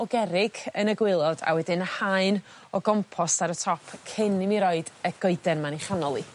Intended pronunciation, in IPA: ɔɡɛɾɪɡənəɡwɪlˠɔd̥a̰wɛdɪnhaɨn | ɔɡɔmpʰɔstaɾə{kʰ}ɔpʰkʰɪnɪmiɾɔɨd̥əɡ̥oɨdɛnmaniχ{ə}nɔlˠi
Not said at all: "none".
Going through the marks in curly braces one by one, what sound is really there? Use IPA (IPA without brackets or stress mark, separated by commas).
tʰ, a